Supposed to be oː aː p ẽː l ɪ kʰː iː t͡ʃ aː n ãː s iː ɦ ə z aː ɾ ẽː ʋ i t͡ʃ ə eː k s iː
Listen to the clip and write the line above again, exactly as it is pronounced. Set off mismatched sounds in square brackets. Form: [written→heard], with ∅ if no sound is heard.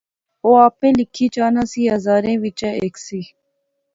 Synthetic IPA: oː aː p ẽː l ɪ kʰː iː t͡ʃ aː n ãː s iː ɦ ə z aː ɾ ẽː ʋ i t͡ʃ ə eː k s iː